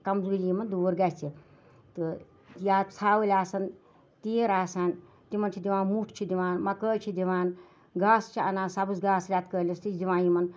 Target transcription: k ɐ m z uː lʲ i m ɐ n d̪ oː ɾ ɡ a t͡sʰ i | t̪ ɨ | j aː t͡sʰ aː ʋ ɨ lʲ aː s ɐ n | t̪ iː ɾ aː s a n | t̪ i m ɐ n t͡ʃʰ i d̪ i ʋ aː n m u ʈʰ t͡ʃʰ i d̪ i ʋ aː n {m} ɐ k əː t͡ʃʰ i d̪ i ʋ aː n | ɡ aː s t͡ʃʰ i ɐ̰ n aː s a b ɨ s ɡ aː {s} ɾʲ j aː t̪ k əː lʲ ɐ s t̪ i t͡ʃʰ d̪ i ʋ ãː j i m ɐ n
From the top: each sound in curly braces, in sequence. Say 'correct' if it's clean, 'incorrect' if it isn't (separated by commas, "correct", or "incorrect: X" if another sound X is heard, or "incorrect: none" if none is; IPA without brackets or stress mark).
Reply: correct, correct